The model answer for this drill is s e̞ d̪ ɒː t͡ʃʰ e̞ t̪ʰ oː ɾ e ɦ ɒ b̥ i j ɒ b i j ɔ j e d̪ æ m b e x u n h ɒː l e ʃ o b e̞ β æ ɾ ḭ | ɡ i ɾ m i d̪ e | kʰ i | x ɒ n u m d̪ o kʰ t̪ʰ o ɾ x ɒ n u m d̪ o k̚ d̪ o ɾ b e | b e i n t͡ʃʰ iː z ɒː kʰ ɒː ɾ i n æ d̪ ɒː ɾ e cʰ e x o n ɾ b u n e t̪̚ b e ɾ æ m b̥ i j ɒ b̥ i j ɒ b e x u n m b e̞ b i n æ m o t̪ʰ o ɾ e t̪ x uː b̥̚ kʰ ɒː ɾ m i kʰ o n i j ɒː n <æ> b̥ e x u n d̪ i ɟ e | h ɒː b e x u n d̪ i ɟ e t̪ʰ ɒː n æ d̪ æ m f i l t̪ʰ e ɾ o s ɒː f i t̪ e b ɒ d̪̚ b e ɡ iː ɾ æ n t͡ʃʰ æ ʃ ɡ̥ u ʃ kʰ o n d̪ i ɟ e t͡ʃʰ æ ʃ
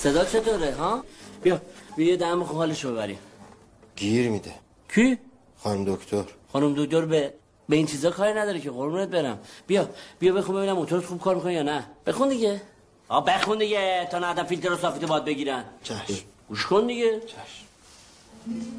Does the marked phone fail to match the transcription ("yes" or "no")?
no